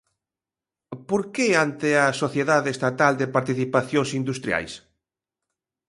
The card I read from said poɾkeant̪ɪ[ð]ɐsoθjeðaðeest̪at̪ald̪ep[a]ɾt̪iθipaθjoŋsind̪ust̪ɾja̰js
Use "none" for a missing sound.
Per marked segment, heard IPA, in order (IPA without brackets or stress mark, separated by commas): none, a